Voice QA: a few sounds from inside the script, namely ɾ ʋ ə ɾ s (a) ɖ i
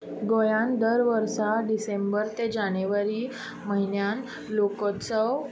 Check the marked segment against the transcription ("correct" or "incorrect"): correct